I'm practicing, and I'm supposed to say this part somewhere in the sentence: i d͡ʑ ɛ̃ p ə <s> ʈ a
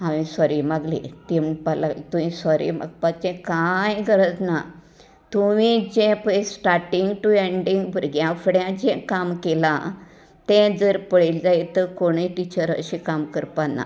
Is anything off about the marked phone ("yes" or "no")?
no